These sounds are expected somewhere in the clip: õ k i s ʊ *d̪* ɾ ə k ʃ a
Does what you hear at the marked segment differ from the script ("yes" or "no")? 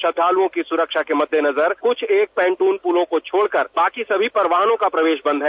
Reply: yes